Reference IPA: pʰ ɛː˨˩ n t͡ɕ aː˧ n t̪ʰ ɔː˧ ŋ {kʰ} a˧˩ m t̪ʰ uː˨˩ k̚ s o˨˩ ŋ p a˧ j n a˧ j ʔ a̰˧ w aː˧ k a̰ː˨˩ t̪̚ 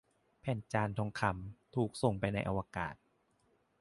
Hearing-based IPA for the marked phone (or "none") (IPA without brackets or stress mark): kʰ